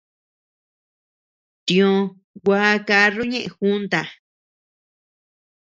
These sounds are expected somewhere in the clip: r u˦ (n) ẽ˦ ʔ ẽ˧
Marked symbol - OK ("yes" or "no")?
no